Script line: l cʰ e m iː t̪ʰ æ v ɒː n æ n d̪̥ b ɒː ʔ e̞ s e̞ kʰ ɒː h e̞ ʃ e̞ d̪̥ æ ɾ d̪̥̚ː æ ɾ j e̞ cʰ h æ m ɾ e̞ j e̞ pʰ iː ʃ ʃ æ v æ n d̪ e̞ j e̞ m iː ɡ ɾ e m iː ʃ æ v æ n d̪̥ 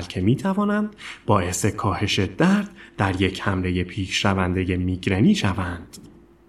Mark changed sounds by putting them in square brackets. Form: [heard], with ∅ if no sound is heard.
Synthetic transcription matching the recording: l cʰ e m iː t̪ʰ æ v ɒː n æ n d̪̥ b ɒː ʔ e̞ s e̞ kʰ ɒː h e̞ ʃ e̞ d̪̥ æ ɾ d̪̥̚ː æ ɾ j e̞ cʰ h æ m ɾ e̞ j e̞ pʰ iː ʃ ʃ æ v æ n d̪ e̞ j e̞ m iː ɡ ɾ e [n] iː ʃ æ v æ n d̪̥